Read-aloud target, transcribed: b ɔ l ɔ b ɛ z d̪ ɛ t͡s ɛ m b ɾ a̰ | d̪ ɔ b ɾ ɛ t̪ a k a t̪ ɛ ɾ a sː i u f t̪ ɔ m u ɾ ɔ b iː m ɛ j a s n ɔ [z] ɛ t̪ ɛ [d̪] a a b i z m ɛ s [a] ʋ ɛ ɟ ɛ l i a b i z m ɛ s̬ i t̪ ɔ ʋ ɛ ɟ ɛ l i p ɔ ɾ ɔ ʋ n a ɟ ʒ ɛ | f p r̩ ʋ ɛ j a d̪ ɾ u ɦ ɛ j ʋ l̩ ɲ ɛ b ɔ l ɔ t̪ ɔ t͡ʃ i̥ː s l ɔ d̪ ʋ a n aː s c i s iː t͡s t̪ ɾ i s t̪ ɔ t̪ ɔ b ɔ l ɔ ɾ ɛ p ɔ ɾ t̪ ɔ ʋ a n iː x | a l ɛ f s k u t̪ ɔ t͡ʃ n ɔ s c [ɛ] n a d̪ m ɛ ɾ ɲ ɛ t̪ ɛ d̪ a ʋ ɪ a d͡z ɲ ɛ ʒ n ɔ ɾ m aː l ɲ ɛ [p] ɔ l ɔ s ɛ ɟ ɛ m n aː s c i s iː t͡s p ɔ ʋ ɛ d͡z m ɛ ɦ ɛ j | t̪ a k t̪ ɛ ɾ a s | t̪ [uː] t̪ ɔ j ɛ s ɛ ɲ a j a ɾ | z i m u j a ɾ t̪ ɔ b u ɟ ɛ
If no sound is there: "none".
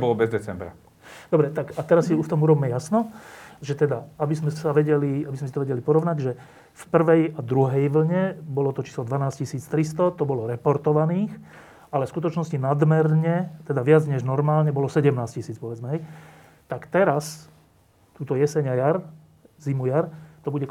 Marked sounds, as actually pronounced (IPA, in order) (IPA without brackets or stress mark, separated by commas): ʒ, d̪, a, i, b, uː